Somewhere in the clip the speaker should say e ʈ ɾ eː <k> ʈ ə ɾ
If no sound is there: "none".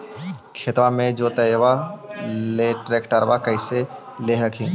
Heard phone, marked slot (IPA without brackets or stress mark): k